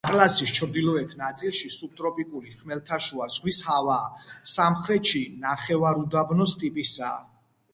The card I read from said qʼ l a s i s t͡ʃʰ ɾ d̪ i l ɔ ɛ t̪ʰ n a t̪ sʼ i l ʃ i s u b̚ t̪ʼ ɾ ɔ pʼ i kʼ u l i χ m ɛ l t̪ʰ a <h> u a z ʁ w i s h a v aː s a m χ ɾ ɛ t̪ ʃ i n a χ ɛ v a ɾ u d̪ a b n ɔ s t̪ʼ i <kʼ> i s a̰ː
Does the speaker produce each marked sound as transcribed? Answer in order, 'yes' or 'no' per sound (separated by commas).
no, no